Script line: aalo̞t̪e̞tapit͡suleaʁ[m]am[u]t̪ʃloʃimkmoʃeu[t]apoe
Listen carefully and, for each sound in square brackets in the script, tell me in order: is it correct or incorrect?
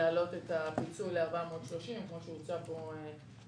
incorrect: b, incorrect: o, incorrect: t͡s

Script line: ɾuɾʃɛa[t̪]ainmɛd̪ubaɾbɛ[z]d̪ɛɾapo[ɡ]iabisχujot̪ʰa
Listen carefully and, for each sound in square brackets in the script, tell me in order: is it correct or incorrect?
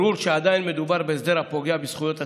incorrect: d̪, correct, correct

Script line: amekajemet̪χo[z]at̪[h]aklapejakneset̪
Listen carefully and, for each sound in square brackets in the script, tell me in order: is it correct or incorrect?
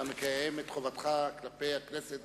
incorrect: v, incorrect: χ

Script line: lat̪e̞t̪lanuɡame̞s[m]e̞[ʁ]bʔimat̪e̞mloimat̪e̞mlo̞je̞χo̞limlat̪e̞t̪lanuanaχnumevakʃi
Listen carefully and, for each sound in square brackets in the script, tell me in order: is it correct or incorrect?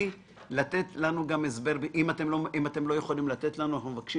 incorrect: b, correct

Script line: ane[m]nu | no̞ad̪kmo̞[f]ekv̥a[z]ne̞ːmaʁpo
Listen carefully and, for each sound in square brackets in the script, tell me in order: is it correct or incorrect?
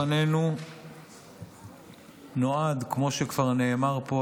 incorrect: none, incorrect: ʃ, incorrect: ʁ

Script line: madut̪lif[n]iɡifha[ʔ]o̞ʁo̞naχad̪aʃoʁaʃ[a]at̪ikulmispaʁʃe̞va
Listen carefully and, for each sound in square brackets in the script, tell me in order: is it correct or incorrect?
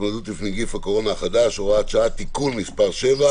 correct, incorrect: k, correct

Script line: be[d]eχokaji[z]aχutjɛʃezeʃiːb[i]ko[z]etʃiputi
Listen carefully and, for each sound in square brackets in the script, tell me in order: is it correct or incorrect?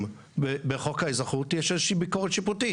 incorrect: b, correct, correct, incorrect: ʁ

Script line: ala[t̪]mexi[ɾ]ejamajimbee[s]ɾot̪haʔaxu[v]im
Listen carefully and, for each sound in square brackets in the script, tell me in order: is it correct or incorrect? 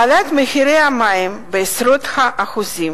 correct, correct, correct, incorrect: z

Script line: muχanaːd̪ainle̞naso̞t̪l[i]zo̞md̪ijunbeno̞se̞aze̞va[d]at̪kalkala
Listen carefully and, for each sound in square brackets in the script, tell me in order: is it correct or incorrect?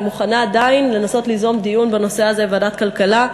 correct, correct

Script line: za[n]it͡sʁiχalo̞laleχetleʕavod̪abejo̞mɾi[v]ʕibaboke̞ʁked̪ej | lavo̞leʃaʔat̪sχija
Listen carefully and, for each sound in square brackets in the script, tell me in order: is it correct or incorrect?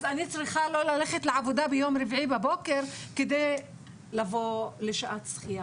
correct, correct

